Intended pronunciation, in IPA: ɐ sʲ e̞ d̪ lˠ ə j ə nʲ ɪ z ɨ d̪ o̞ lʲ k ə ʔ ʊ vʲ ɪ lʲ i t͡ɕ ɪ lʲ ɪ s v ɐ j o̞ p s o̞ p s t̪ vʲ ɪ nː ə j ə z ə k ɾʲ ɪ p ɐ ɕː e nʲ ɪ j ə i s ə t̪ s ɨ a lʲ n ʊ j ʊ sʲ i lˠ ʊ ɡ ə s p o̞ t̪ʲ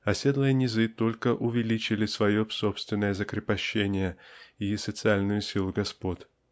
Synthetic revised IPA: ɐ sʲ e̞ d̪ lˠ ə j ə nʲ ɪ z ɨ t̪ o̞ lʲ k ə ʔ ʊ vʲ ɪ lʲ i t͡ɕ ɪ lʲ ɪ s v ɐ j o̞ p s o̞ p s t̪ vʲ ɪ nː ə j ə z ə k ɾʲ ɪ p ɐ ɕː e nʲ ɪ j ə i s ə t̪ s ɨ a lʲ n ʊ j ʊ sʲ i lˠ ʊ ɡ ɐ s p o̞ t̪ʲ

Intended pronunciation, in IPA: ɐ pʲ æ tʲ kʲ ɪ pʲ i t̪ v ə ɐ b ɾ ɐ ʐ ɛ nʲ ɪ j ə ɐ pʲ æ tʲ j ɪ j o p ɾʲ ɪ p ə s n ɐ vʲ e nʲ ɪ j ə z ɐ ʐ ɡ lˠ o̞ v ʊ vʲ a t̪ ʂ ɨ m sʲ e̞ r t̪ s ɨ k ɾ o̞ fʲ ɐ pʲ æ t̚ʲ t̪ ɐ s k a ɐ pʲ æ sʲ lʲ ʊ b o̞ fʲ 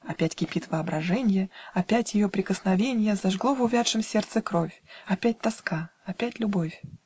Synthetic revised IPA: ɐ pʲ æ tʲ kʲ ɪ pʲ i t̪ v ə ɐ b ɾ ɐ ʐ ɛ nʲ ɪ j ə ɐ pʲ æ tʲ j ɪ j o p ɾʲ ɪ k ə s n ɐ vʲ e nʲ ɪ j ə z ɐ ʐ ɡ lˠ o̞ v ʊ vʲ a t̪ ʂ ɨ m sʲ e̞ r t̪ s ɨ k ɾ o̞ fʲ ɐ pʲ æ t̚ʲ t̪ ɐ s k a ɐ pʲ æ tʲ lʲ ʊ b o̞ fʲ

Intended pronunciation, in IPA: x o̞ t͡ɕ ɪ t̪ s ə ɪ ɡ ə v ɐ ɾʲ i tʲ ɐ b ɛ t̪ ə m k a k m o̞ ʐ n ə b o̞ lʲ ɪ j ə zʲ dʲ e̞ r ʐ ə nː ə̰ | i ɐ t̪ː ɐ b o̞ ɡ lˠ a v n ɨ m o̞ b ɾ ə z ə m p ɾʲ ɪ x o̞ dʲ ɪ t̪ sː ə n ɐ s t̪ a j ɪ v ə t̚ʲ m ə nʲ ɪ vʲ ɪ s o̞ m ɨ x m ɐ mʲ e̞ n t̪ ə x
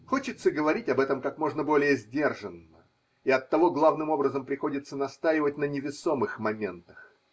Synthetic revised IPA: x o̞ t͡ɕ ɪ t̪ s ə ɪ ɡ ə v ɐ ɾʲ i tʲ ɐ b ɛ t̪ ə m k a k m o̞ ʐ n ə b o̞ lʲ ɪ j ə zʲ dʲ e̞ r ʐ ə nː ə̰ | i ɐ t̪ː ɐ v o̞ ɡ lˠ a v n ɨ m o̞ b ɾ ə z ə m p ɾʲ ɪ x o̞ dʲ ɪ t̪ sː ə n ɐ s t̪ a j ɪ v ə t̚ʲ n ə nʲ ɪ vʲ ɪ s o̞ m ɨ x m ɐ mʲ e̞ n t̪ ə x

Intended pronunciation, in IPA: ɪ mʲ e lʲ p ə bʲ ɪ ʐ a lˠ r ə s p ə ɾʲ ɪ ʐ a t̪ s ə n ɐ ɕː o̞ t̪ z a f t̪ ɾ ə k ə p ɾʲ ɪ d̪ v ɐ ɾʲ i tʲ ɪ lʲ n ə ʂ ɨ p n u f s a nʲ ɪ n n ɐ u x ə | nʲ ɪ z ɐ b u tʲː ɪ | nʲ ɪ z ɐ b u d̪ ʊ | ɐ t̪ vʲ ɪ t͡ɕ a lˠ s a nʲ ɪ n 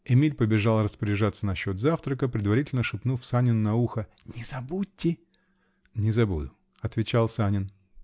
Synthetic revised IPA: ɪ mʲ i lʲ p ə bʲ ɪ ʐ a lˠ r ə s p ə ɾʲ ɪ ʐ a t̪ s ə n ɐ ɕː o̞ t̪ z a f t̪ ɾ ə k ə p ɾʲ ɪ d̪ v ɐ ɾʲ i tʲ ɪ lʲ n ə ʂ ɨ p n u f s a nʲ ɪ n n ɐ u x ə | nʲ ɪ z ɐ b u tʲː ɪ | nʲ ɪ z ɐ b u d̪ ʊ | ɐ t̪ vʲ ɪ t͡ɕ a lˠ s a nʲ ɪ n

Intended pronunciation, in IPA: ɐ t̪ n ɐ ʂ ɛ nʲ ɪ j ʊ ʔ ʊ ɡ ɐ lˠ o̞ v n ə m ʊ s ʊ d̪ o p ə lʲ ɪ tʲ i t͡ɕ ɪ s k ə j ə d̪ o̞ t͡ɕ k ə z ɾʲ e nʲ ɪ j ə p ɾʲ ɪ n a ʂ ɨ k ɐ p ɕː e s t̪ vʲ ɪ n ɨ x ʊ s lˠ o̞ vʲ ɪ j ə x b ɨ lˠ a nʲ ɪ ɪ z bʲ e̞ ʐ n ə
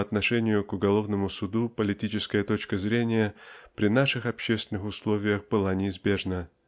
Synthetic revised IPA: ɐ t̪ n ɐ ʂ ɛ nʲ ɪ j ʊ k ʊ ɡ ɐ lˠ o̞ v n ə m ʊ s ʊ d̪ u p ə lʲ ɪ tʲ i t͡ɕ ɪ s k ə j ə t̪ o̞ t͡ɕ k ə z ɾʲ e nʲ ɪ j ə p ɾʲ ɪ n a ʂ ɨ x ɐ p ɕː e s t̪ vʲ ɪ n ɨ x ʊ s lˠ o̞ vʲ ɪ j ə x b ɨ lˠ a nʲ ɪ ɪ z bʲ e̞ ʐ n ə

